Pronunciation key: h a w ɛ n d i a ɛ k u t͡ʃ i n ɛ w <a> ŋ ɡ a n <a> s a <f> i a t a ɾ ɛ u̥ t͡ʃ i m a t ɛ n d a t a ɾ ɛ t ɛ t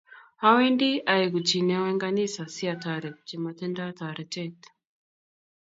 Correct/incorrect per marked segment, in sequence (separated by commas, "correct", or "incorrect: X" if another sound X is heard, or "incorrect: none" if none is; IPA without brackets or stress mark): incorrect: ɛ, incorrect: i, incorrect: s